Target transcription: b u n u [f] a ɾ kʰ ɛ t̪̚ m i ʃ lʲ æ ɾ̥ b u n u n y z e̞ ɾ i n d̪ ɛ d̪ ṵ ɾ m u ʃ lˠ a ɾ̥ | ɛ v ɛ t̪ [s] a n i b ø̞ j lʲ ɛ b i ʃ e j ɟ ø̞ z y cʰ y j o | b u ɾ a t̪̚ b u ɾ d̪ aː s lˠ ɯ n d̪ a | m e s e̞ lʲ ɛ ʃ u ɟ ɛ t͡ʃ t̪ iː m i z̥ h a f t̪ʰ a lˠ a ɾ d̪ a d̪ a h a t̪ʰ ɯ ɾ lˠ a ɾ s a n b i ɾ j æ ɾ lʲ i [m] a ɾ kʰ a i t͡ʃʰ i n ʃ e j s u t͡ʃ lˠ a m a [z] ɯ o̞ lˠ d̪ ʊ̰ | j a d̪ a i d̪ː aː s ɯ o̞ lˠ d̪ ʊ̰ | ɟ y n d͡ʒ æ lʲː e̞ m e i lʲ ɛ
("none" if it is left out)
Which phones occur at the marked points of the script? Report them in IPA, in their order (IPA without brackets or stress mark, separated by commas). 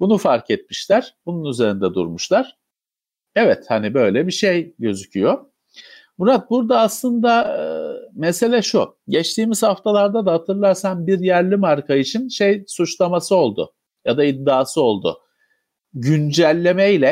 f, h, m, s